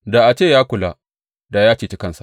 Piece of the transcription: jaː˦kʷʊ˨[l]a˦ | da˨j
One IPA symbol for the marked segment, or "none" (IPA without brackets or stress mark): l